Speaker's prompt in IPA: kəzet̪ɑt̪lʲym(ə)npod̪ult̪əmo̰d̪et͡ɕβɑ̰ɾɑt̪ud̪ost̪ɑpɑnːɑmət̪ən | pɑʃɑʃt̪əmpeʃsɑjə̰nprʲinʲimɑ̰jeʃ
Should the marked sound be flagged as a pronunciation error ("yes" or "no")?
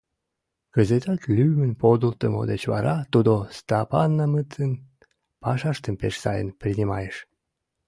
no